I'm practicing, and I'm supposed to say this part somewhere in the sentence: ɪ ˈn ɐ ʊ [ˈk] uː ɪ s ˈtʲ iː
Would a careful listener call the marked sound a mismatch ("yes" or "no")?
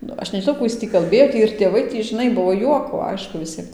no